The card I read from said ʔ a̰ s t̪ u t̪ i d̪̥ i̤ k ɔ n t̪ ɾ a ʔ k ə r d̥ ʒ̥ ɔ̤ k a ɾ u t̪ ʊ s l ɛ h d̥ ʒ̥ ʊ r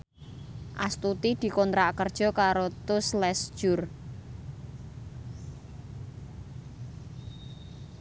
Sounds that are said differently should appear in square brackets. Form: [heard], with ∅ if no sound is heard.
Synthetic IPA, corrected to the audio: ʔ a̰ s t̪ u t̪ i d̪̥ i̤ k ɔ n t̪ ɾ a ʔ k ə r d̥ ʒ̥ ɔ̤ k a ɾ [o] t̪ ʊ s l ɛ [s] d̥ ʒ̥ ʊ r